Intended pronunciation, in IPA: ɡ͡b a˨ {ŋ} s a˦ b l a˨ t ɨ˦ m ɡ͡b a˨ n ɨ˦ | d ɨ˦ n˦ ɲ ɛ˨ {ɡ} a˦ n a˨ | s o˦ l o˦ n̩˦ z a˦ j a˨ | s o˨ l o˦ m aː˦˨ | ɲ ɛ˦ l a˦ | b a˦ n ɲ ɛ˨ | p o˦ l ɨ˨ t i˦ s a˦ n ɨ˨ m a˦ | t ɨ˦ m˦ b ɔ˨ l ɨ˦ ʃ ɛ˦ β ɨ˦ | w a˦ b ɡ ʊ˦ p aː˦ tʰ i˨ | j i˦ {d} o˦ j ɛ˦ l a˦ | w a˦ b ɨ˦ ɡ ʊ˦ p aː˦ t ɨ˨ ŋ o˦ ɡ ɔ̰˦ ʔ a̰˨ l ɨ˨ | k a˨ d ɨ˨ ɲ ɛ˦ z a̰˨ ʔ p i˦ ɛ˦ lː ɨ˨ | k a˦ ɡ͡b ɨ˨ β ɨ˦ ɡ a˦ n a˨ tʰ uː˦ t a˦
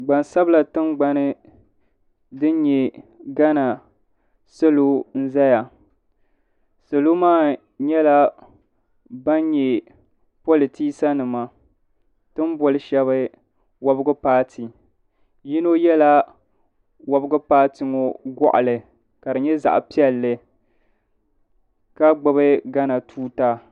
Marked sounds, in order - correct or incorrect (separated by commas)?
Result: incorrect, correct, incorrect